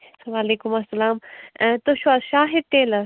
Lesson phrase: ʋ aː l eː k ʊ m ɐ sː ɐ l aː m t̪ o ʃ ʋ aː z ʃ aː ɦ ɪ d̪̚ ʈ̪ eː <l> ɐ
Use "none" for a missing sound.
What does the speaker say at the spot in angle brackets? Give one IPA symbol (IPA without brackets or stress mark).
l